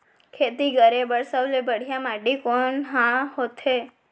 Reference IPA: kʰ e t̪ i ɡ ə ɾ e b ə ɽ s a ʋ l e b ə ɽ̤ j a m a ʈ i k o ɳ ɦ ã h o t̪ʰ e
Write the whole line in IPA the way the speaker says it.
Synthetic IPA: kʰ e t̪ i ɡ ə ɾ e b ə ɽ s ə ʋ l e b ə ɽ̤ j a m a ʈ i k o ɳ ɦ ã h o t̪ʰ e

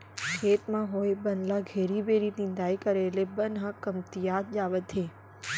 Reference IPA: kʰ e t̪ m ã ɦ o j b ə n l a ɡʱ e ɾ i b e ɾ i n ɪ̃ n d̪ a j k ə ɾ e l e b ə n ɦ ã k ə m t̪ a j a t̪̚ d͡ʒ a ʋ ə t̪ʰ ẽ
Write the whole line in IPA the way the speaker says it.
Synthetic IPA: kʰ e t̪ m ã ɦ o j b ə n l a ɡʱ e ɾ i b e ɾ i n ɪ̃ n d̪ a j k ə ɾ e l e b ə n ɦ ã k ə m t̪ i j a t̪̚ d͡ʒ a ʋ ə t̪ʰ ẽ

